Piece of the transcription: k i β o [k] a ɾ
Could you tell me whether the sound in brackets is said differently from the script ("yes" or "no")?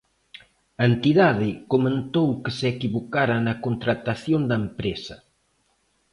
no